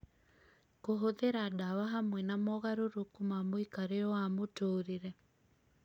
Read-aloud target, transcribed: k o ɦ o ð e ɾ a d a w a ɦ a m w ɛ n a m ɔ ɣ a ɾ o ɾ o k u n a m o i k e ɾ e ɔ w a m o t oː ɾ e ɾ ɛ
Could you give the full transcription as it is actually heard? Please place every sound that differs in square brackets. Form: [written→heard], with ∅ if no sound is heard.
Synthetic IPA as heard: k o ɦ o ð e ɾ a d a w a ɦ a m w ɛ n a m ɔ ɣ a ɾ o ɾ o k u [n→m] a m o i k [e→a] ɾ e ɔ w a m o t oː ɾ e ɾ ɛ